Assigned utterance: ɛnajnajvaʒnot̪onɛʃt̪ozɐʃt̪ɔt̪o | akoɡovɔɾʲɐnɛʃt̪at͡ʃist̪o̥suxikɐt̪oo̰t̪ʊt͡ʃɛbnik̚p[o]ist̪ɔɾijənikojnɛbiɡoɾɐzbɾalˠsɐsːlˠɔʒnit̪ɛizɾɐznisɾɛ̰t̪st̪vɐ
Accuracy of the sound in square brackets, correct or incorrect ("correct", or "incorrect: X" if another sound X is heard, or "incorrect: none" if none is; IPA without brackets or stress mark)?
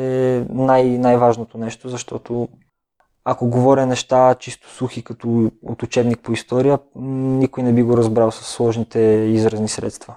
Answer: correct